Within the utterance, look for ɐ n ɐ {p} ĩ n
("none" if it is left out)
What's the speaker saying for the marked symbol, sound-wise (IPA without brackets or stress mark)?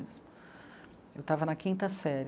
k